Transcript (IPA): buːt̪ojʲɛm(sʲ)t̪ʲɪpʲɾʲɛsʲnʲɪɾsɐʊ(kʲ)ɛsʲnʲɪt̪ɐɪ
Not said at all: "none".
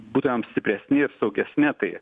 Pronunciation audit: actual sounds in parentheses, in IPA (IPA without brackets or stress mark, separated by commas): sʲ, ɡʲ